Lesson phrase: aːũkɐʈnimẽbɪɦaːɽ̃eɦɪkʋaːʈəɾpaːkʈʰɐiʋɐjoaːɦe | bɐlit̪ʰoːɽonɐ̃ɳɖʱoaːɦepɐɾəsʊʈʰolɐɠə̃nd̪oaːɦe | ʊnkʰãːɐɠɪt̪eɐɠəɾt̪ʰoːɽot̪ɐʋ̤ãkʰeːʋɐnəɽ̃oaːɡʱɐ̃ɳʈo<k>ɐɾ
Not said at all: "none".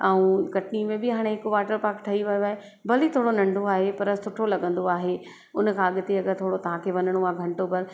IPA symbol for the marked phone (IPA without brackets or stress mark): p